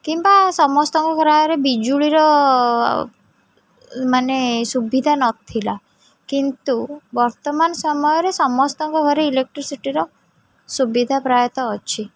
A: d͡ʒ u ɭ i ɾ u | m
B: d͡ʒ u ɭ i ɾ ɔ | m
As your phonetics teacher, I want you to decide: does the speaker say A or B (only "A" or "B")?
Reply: B